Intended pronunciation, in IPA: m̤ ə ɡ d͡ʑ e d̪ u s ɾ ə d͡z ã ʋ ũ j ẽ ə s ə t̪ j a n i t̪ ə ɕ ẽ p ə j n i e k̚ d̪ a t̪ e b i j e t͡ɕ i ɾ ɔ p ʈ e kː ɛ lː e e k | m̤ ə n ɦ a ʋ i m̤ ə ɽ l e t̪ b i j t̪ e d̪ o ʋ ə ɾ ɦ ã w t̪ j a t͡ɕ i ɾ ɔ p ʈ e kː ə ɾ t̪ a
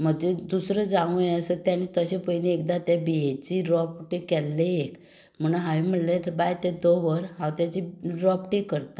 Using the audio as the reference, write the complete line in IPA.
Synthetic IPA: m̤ ə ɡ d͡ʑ e d̪ u s ɾ ə d͡z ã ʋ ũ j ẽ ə s ə t̪ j a n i t̪ ə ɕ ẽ p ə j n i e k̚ d̪ a t̪ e b i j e t͡ɕ i ɾ ɔ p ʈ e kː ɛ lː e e k | m̤ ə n ɦ a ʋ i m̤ ə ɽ l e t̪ b a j t̪ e d̪ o ʋ ə ɾ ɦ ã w t̪ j a t͡ɕ i ɾ ɔ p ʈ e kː ə ɾ t̪ a

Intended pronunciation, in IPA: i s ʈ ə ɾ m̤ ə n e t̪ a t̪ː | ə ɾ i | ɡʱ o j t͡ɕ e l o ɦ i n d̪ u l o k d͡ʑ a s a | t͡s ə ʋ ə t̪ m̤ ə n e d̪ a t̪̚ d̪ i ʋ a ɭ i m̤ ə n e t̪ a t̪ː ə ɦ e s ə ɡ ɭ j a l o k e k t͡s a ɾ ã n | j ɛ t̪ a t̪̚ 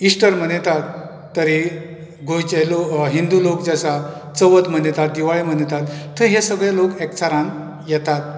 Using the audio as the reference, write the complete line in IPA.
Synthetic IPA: i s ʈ ə ɾ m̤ ə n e t̪ a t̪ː | ə ɾ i | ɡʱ o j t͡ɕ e l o ɦ i n d̪ u l o k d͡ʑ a s a | t͡s ə ʋ ə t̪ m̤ ə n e t̪ a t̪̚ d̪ i ʋ a ɭ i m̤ ə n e t̪ a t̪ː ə ɦ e s ə ɡ ɭ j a l o k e k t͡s a ɾ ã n | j ɛ t̪ a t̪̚

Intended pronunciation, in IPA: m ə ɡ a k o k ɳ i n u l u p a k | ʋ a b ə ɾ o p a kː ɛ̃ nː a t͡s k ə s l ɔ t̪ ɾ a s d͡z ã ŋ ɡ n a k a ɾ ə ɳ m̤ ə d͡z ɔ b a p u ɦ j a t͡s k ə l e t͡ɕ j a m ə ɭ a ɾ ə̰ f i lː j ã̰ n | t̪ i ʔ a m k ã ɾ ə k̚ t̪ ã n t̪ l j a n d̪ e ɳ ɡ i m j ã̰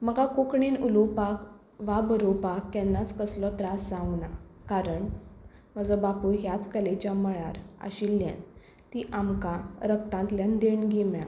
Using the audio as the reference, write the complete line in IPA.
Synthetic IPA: m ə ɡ a k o k ɳ i n u l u p a k | ʋ a b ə ɾ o p a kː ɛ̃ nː a t͡s k ə s l ɔ t̪ ɾ a s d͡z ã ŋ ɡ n a k a ɾ ə ɳ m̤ ə d͡z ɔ b a p u ɦ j a t͡s k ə l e t͡ɕ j a m ə ɭ a ɾ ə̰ ɕ i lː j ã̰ n | t̪ i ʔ a m k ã ɾ ə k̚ t̪ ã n t̪ l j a n d̪ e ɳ ɡ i m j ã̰

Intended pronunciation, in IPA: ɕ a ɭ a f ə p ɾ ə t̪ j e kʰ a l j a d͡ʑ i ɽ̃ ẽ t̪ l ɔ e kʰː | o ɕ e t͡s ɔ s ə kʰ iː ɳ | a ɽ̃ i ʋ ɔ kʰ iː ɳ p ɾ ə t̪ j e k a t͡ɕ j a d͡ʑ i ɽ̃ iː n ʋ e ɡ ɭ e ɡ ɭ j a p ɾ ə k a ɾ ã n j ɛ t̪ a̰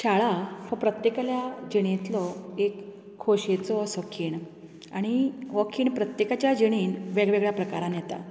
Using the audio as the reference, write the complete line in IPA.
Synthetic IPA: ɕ a ɭ a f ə p ɾ ə t̪ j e k a l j a d͡ʑ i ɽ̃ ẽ t̪ l ɔ e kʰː | o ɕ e t͡s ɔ s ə kʰ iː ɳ | a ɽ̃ i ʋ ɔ kʰ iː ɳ p ɾ ə t̪ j e k a t͡ɕ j a d͡ʑ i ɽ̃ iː n ʋ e ɡ ɭ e ɡ ɭ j a p ɾ ə k a ɾ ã n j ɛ t̪ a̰

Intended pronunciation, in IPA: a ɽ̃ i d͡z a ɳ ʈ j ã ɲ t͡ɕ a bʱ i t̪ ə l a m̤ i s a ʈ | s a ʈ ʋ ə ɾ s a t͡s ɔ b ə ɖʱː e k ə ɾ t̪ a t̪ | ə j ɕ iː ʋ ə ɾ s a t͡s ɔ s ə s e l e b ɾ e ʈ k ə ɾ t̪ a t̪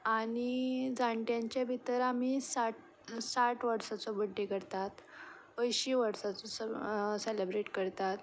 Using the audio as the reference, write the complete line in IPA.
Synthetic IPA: a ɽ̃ i d͡z a ɳ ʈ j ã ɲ t͡ɕ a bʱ i t̪ ə ɾ a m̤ i s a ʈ | s a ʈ ʋ ə ɾ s a t͡s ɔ b ə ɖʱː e k ə ɾ t̪ a t̪ | ə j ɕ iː ʋ ə ɾ s a t͡s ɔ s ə s e l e b ɾ e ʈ k ə ɾ t̪ a t̪

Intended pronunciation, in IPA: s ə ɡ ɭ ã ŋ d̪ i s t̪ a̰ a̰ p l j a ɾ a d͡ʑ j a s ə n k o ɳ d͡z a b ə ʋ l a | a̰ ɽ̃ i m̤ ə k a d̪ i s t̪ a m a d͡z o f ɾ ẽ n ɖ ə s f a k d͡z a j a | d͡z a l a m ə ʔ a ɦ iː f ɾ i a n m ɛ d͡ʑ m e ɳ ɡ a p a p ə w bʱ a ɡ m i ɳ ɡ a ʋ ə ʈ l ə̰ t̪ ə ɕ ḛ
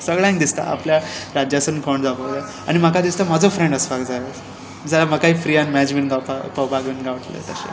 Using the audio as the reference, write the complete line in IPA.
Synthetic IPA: s ə ɡ ɭ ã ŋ d̪ i s t̪ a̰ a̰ p l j a ɾ a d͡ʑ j a s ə n k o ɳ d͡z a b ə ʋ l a | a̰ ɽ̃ i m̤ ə k a d̪ i s t̪ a m a d͡z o f ɾ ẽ ɳ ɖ ə s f a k d͡z a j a | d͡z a l a m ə k a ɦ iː f ɾ i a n m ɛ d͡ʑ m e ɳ ɡ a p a p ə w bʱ a ɡ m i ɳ ɡ a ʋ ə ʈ l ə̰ t̪ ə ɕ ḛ

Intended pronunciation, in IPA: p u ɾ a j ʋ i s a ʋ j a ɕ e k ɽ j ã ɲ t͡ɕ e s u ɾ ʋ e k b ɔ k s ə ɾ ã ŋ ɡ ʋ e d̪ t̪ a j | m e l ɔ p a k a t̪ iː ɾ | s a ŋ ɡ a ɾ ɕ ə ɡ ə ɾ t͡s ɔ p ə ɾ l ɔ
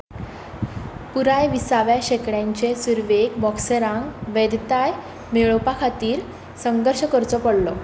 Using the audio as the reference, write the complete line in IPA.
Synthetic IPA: p u ɾ a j ʋ i s a ʋ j a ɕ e k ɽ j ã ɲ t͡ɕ e s u ɾ ʋ e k b ɔ k s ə ɾ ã ŋ ɡ ʋ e d̪ t̪ a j | m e ɭ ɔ p a kʰ a t̪ iː ɾ | s ə ŋ ɡ ə ɾ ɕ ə k ə ɾ t͡s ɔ p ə ɽ l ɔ

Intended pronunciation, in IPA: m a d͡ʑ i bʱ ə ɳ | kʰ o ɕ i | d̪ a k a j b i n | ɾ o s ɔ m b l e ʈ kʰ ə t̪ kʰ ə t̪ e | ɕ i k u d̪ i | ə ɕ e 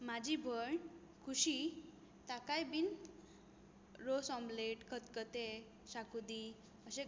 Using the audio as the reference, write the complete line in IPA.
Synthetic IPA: m a d͡ʑ i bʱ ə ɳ | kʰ u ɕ i | t̪ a k a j b i n | ɾ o s ɔ m b l e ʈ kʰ ə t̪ k ə t̪ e | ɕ a k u d̪ i | ə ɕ e

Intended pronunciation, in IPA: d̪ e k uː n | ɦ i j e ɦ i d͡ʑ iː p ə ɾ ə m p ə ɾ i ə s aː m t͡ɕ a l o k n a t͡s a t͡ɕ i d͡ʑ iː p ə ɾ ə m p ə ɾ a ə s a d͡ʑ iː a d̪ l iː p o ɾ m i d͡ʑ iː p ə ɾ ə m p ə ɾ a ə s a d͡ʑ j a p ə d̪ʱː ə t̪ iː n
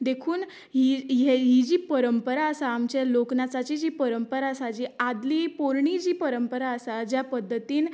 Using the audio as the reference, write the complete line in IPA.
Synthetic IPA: d̪ e kʰ uː n | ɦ i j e ɦ i d͡ʑ iː p ə ɾ ə m p ə ɾ a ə s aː m t͡ɕ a l o k n a t͡s a t͡ɕ i d͡ʑ iː p ə ɾ ə m p ə ɾ a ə s a d͡ʑ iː a d̪ l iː p o ɾ ɳ i d͡ʑ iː p ə ɾ ə m p ə ɾ a ə s a d͡ʑ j a p ə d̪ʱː ə t̪ iː n

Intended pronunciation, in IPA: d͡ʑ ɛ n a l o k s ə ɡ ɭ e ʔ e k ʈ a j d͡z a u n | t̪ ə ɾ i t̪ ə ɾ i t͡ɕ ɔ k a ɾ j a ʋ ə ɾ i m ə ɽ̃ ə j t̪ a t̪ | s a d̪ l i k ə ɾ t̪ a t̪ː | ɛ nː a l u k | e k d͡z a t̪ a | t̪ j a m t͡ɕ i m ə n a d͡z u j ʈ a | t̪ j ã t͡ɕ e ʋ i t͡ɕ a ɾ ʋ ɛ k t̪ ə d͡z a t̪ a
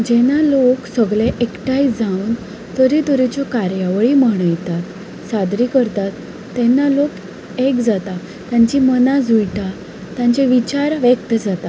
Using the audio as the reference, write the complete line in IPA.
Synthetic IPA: d͡ʑ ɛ n a l o k s ə ɡ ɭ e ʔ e k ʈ a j d͡z a u n | t̪ ə ɾ i t̪ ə ɾ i t͡ɕ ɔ k a ɾ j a ʋ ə ɭ i m ə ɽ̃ ə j t̪ a t̪ | s a d̪ ɾ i k ə ɾ t̪ a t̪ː | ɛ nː a l o k | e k d͡z a t̪ a | t̪ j a ɲ t͡ɕ i m ə n a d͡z u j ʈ a | t̪ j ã t͡ɕ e ʋ i t͡ɕ a ɾ ʋ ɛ k t̪ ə d͡z a t̪ a

